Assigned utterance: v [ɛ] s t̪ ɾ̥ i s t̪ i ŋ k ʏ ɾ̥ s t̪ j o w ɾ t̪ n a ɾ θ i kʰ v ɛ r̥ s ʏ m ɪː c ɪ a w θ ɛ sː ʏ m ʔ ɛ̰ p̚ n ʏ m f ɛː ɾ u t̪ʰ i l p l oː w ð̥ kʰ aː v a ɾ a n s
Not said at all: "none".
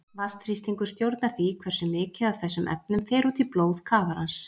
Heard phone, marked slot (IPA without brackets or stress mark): a